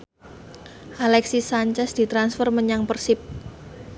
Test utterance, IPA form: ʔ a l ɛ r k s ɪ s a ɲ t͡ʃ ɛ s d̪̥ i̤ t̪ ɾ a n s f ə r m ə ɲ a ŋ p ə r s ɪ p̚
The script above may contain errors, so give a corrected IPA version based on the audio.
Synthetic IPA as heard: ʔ a l ɛ k s i s a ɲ t͡ʃ ɛ s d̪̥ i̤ t̪ ɾ a n s f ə r m ə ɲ a ŋ p ə r s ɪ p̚